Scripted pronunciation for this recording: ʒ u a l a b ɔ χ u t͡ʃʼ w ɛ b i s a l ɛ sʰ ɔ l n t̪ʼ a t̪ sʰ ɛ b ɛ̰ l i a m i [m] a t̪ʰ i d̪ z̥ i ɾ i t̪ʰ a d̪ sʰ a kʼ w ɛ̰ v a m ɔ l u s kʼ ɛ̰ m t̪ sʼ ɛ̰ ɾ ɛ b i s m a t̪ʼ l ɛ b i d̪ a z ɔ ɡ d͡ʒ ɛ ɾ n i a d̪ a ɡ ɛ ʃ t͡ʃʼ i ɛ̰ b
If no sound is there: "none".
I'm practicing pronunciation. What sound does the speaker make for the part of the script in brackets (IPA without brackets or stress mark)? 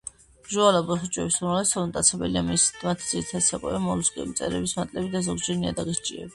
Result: m